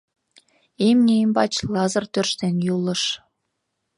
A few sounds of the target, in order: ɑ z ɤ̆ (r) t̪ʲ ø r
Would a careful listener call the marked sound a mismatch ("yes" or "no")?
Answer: no